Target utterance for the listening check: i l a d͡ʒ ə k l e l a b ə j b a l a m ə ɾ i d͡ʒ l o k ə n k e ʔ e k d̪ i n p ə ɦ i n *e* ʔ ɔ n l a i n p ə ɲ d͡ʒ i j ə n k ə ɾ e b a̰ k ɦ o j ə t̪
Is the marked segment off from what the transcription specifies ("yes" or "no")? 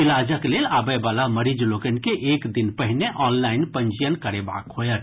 no